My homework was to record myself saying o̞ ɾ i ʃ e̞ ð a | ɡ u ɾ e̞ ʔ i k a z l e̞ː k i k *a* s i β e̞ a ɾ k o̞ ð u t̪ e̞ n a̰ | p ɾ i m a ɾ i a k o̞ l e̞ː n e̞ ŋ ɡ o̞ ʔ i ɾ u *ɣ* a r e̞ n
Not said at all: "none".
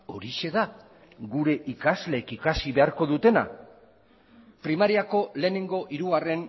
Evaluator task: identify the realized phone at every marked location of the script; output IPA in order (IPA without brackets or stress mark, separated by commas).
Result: a, ɣ